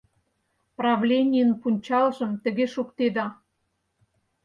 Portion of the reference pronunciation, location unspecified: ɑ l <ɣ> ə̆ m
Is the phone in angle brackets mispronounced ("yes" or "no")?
yes